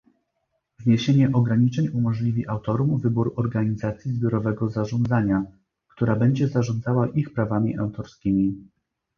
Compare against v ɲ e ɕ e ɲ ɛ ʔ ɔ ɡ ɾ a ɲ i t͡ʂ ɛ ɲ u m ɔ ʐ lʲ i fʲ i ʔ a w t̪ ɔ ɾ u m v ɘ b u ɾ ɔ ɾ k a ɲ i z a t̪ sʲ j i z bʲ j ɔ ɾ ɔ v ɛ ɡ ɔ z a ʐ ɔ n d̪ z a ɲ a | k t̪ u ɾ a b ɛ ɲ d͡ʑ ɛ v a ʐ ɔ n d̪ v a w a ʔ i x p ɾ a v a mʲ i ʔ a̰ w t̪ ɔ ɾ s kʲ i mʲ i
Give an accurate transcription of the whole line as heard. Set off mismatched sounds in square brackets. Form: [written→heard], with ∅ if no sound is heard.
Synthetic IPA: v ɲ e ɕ e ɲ ɛ ʔ ɔ ɡ ɾ a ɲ i t͡ʂ ɛ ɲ u m ɔ ʐ lʲ i [fʲ→vʲ] i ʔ a w t̪ ɔ ɾ u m v ɘ b u ɾ ɔ ɾ [k→ɡ] a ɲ i z a t̪ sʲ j i z bʲ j ɔ ɾ ɔ v ɛ ɡ ɔ z a ʐ ɔ n d̪ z a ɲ a | k t̪ u ɾ a b ɛ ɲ d͡ʑ ɛ [v→z] a ʐ ɔ n d̪ [v→z] a w a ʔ i x p ɾ a v a mʲ i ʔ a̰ w t̪ ɔ ɾ s kʲ i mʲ i